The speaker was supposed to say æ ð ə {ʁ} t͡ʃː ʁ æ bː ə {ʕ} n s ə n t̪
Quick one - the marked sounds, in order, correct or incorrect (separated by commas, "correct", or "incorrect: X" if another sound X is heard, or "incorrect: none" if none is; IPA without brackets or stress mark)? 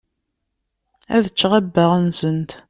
incorrect: none, incorrect: ʁ